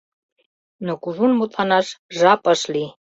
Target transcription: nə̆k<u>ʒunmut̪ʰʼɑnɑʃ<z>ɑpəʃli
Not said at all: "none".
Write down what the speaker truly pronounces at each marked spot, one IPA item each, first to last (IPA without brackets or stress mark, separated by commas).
u, ʒ